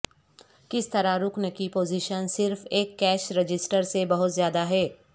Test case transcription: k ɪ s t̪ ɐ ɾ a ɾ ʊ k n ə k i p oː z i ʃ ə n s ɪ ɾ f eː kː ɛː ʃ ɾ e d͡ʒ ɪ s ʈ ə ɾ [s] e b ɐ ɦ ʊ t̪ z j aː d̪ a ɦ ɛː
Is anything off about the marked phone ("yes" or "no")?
no